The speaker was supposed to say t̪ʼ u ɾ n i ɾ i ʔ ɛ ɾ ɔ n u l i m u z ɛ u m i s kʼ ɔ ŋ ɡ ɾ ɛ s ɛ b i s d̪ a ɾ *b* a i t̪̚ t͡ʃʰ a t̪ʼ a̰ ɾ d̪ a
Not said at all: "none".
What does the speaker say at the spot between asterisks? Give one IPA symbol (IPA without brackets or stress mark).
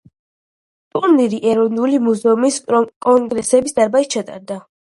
b